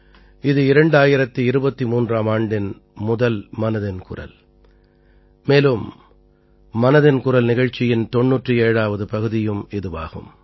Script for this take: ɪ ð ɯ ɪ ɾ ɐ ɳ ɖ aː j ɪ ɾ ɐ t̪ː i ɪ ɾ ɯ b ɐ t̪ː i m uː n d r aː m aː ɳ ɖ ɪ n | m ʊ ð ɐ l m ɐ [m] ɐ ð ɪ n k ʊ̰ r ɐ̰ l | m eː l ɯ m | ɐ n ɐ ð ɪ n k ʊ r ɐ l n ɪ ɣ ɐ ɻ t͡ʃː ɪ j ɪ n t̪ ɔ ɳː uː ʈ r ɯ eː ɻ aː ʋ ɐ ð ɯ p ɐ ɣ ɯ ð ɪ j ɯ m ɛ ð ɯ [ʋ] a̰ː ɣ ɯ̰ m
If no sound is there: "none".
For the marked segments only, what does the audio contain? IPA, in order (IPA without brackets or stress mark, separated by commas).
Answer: n, ʋ